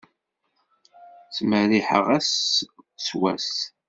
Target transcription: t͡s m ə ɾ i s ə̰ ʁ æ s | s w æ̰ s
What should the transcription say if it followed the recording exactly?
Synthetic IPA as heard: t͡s m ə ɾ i ħ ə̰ ʁ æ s | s w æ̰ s